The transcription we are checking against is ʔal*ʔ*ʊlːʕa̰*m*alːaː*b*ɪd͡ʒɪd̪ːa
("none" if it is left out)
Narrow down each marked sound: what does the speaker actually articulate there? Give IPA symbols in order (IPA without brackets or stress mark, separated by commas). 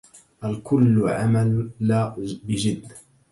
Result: k, m, b